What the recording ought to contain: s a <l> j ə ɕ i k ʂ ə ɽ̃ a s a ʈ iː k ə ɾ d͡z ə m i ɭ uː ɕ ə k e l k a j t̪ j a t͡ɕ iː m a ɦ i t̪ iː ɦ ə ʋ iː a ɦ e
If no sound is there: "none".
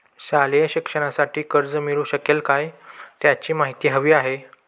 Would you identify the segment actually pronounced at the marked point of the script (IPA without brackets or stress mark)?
l